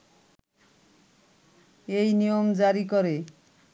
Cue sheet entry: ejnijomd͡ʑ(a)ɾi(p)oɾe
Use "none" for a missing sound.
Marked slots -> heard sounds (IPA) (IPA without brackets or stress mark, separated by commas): a, k